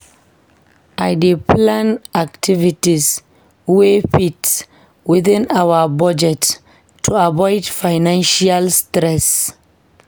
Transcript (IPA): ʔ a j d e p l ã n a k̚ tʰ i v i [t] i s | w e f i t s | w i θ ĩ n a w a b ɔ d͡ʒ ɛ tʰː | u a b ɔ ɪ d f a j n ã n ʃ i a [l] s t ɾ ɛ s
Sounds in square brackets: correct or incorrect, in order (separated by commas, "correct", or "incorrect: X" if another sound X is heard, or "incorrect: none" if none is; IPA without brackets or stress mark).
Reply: correct, correct